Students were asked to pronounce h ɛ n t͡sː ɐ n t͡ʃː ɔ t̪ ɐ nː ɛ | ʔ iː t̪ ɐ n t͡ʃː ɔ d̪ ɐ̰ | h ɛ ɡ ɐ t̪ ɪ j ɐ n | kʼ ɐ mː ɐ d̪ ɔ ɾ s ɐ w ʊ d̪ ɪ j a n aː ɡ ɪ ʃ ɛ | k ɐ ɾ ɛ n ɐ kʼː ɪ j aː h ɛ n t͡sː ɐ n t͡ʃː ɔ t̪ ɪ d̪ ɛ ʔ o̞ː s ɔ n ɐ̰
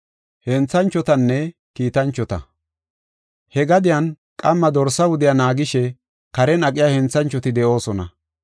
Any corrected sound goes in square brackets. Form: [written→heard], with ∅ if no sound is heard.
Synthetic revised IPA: h ɛ n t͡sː ɐ n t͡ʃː ɔ t̪ ɐ nː ɛ | [ʔ→k] iː t̪ ɐ n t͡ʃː ɔ [d̪→t̪] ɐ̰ | h ɛ ɡ ɐ [t̪→d̪] ɪ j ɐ n | kʼ ɐ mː ɐ d̪ ɔ ɾ s ɐ w ʊ d̪ ɪ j a n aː ɡ ɪ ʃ ɛ | k ɐ ɾ ɛ n ɐ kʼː ɪ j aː h ɛ n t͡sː ɐ n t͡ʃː ɔ t̪ ɪ d̪ ɛ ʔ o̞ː s ɔ n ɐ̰